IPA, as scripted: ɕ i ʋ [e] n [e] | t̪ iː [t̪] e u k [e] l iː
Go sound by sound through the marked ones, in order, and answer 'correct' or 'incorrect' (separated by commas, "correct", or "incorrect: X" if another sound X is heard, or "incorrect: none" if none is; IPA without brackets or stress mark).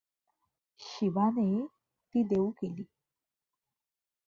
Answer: incorrect: a, correct, incorrect: d̪, correct